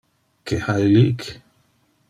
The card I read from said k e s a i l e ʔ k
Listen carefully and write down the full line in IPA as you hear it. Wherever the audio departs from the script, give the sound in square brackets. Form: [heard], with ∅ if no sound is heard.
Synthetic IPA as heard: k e [h] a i l [i] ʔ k